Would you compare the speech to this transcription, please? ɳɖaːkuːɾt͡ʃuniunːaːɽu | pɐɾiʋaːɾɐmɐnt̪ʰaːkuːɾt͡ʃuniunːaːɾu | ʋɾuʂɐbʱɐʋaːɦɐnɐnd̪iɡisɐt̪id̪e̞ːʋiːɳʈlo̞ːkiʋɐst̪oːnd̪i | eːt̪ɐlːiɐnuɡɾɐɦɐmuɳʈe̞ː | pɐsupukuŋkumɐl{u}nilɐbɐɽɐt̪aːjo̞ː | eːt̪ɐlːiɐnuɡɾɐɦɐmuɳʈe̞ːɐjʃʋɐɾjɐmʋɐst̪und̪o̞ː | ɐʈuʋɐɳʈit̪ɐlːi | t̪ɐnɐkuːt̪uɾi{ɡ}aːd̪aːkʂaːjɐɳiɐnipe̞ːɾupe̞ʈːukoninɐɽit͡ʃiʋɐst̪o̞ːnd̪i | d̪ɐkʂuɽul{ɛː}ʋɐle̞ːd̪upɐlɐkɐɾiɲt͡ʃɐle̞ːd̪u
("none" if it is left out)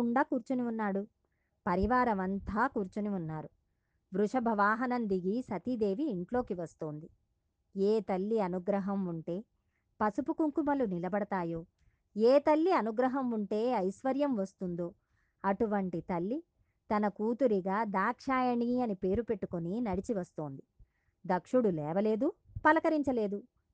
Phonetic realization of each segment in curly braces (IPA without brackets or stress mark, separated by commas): u, ɡ, ɛː